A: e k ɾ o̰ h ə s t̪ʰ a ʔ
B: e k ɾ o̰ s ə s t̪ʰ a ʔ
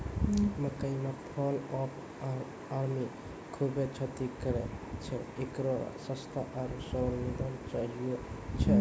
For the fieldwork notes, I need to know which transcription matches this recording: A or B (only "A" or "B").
B